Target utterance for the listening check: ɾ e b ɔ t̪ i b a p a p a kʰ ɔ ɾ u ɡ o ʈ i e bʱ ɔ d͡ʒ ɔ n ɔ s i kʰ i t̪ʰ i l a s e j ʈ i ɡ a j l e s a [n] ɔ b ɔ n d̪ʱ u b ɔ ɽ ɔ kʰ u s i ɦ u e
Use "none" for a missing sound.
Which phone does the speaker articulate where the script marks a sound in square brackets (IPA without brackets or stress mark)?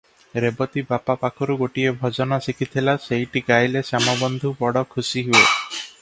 m